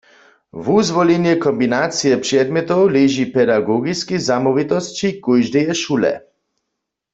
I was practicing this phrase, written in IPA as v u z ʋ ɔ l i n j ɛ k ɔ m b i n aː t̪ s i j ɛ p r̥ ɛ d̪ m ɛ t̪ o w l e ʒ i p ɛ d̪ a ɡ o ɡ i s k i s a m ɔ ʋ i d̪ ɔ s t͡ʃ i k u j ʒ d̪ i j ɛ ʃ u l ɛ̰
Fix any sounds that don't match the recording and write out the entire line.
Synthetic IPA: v u z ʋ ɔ l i n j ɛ k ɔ m b i n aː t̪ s i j ɛ p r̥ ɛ d̪ m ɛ t̪ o w l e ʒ i p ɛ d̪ a ɡ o ɡ i s k i z a m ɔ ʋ i t̪ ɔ s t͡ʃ i k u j ʒ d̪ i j ɛ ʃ u l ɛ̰